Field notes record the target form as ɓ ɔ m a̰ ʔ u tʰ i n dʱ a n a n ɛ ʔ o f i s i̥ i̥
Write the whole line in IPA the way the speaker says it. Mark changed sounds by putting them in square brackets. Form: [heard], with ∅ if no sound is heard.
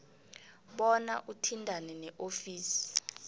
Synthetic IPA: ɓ ɔ [n] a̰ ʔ u tʰ i n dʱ a n [ɛ] n ɛ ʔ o f [iː] s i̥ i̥